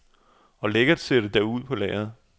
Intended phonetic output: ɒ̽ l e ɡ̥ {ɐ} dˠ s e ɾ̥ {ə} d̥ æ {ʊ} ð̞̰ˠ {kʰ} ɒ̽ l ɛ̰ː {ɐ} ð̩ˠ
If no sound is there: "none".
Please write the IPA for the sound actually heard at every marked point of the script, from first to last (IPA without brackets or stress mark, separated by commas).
ɐ, ə, u, pʰ, ɐ